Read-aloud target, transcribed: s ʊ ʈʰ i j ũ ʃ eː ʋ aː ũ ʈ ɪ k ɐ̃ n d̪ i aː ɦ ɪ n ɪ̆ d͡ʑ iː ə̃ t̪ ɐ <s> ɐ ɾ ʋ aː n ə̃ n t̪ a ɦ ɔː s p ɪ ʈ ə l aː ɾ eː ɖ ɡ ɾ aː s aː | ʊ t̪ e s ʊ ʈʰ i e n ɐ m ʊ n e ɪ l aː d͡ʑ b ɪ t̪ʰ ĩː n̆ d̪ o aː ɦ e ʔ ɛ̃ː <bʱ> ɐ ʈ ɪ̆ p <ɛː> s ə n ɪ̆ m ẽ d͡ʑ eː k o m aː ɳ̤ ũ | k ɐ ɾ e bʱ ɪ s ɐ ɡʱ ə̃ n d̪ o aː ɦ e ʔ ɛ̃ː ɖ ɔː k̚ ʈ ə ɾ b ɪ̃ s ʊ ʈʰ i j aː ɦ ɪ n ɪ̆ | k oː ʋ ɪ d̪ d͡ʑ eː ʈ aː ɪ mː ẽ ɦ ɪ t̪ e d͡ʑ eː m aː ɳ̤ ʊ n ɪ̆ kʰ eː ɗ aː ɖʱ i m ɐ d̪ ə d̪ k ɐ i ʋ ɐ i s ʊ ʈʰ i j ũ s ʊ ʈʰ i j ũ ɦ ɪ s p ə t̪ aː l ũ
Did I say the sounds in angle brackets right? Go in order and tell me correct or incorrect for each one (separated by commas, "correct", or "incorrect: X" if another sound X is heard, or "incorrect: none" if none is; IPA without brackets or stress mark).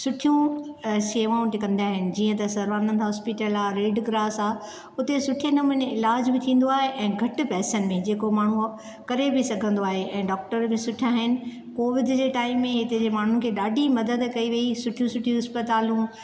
correct, incorrect: ɡʱ, correct